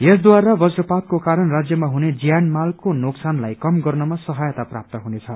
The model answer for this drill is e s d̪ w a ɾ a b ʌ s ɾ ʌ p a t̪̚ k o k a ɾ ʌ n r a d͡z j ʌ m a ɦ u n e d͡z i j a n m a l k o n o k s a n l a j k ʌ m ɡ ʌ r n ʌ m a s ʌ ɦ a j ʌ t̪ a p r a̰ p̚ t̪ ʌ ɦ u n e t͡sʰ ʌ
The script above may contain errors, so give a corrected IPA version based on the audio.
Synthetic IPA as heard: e s d̪ w a ɾ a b ʌ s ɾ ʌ p a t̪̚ k o k a ɾ ʌ n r a d͡z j ʌ m a ɦ u n e d͡z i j a n m a l k o n o k s a n l a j k ʌ m ɡ ʌ r n ʌ m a s ʌ ɦ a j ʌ t̪ a p r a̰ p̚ t̪ ʌ ɦ u n e t͡sʰ ʌ